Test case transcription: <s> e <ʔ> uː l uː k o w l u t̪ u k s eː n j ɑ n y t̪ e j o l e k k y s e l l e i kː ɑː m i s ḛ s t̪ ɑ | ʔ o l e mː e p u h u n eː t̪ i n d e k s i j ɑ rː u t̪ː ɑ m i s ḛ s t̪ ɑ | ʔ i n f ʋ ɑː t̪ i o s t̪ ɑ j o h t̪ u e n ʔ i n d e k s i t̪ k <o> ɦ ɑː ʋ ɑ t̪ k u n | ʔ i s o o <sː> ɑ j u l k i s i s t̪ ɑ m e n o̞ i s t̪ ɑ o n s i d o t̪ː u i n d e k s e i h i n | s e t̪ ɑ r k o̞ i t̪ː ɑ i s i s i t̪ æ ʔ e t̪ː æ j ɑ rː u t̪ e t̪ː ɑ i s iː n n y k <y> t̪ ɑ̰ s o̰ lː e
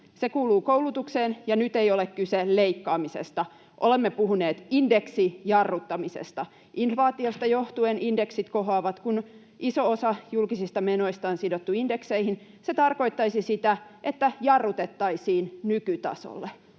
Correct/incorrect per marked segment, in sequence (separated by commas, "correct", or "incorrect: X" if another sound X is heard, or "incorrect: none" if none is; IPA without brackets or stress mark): correct, incorrect: k, correct, incorrect: s, correct